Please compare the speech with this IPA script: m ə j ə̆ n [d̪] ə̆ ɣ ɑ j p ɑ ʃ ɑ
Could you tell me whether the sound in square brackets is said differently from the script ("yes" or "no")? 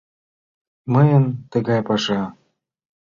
yes